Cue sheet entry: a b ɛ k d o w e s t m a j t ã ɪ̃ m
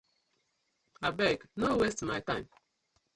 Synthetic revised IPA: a b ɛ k n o w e s t m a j t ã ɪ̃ m